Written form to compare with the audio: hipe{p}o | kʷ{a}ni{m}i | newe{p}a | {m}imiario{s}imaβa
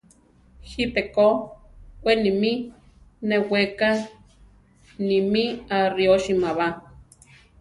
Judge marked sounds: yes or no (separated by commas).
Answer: no, no, yes, no, no, no